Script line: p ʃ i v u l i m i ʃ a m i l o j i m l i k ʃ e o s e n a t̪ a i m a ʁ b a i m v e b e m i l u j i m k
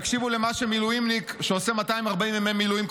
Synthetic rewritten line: k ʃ i v u l e m a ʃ e m i l u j i m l i k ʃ e o s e m a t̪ a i m a ʁ b a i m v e m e m i l u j i m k